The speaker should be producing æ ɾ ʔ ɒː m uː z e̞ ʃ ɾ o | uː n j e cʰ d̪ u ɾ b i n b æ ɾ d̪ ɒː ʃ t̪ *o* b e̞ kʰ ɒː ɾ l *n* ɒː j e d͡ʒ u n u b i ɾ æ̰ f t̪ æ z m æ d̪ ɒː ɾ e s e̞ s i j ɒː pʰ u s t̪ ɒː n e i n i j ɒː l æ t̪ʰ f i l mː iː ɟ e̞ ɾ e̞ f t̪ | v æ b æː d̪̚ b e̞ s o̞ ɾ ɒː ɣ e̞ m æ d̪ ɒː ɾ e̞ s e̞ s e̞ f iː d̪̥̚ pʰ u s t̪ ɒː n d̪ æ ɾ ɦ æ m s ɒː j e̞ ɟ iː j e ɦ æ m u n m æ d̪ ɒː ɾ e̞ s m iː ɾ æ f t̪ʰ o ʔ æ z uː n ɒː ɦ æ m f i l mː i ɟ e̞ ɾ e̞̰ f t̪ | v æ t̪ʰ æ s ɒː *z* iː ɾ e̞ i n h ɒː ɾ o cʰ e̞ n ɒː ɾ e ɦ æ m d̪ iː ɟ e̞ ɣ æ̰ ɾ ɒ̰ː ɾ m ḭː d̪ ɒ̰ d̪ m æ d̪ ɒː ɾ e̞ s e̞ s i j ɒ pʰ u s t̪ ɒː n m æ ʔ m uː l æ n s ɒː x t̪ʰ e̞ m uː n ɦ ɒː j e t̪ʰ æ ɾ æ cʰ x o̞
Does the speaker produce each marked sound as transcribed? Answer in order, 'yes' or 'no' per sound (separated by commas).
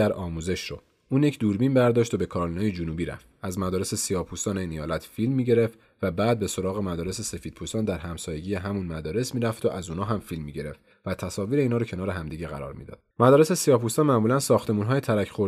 yes, yes, no